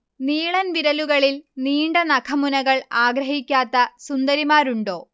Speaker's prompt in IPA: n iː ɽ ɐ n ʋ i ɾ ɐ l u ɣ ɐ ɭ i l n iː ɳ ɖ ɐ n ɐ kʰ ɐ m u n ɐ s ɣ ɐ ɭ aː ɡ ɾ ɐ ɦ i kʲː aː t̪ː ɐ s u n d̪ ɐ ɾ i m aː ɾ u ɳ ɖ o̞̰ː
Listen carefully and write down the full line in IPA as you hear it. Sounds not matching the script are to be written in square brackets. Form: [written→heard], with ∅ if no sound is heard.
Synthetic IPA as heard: n iː [ɽ→ɭ] ɐ n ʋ i ɾ ɐ l u ɣ ɐ ɭ i l n iː ɳ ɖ ɐ n ɐ kʰ ɐ m u n ɐ [s→∅] ɣ ɐ ɭ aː ɡ ɾ ɐ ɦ i kʲː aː t̪ː ɐ s u n d̪ ɐ ɾ i m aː ɾ u ɳ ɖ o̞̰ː